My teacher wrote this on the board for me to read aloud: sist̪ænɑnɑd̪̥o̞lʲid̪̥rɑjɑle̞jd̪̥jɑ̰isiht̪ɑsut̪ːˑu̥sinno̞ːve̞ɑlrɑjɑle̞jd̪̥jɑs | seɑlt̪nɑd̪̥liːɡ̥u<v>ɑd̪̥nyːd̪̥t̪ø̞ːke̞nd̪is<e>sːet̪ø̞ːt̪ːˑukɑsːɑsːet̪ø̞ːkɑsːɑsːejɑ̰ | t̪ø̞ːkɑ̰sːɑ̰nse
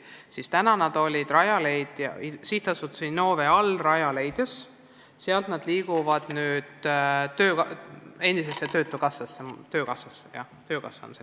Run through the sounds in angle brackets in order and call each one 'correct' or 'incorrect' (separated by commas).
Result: correct, correct